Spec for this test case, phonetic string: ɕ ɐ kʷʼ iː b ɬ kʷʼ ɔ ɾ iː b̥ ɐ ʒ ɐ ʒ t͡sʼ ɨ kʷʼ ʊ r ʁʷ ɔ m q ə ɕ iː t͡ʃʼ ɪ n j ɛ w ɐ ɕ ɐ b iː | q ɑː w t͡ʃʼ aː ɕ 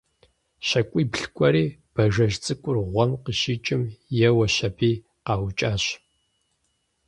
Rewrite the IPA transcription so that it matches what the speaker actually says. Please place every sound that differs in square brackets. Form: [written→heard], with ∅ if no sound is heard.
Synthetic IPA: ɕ ɐ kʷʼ iː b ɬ kʷʼ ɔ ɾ iː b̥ ɐ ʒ ɐ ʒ t͡sʼ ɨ kʷʼ ʊ r ʁʷ ɔ m q ə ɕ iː t͡ʃʼ ɪ [n→m] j ɛ w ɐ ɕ ɐ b iː | q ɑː w t͡ʃʼ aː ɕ